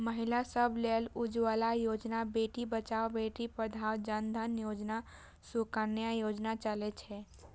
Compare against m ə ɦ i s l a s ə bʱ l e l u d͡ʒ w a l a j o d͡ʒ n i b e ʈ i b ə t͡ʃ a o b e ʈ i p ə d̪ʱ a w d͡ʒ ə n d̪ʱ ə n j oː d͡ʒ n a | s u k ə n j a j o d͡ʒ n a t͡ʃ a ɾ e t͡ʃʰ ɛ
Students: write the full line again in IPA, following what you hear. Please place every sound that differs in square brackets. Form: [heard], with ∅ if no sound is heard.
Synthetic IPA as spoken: m ə ɦ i [∅] l a s ə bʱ l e l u d͡ʒ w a l a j o d͡ʒ n [a] b e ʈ i b ə t͡ʃ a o b e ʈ i p ə d̪ʱ a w d͡ʒ ə n d̪ʱ ə n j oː d͡ʒ n a | s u k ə n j a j o d͡ʒ n a t͡ʃ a [l] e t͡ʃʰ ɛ